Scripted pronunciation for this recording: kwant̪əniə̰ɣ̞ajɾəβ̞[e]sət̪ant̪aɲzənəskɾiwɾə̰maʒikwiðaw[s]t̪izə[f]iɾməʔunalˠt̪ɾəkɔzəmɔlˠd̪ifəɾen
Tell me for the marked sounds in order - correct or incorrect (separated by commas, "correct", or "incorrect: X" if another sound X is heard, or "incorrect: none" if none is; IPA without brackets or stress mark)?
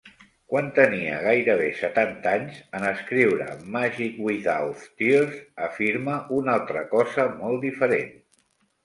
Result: correct, incorrect: f, correct